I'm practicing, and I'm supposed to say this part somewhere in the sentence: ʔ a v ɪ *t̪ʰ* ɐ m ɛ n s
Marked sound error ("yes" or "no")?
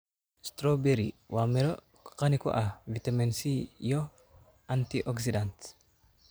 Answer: yes